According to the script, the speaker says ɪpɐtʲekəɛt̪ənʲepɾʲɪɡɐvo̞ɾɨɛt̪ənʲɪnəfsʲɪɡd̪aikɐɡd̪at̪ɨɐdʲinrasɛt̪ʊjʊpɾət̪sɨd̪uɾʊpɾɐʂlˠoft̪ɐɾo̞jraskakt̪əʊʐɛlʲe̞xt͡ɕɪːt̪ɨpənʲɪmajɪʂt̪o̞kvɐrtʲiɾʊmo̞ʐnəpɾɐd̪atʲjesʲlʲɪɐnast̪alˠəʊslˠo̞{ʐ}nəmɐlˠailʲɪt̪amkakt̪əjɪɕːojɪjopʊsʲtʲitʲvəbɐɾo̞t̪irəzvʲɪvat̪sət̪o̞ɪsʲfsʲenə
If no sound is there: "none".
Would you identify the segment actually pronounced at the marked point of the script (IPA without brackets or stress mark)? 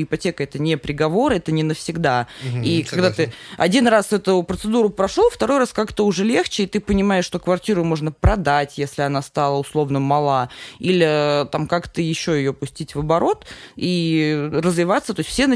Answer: v